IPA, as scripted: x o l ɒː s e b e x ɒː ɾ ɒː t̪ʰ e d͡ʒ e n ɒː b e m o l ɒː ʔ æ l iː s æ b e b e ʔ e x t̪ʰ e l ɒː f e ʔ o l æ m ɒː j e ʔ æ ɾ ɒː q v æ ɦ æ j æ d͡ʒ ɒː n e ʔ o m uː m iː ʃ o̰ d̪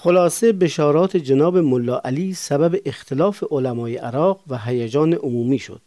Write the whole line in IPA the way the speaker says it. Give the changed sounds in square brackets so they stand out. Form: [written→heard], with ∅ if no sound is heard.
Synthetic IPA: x o l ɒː s e b e [x→ʃ] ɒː ɾ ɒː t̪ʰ e d͡ʒ e n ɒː b e m o [l→lː] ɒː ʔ æ l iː s æ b [e→æ] b e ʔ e x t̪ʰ e l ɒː f e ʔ o l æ m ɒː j e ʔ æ ɾ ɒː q v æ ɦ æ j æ d͡ʒ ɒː n e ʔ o m uː m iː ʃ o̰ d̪